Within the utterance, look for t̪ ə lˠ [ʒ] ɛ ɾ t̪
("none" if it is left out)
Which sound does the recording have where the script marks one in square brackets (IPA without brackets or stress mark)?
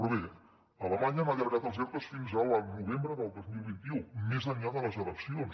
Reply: z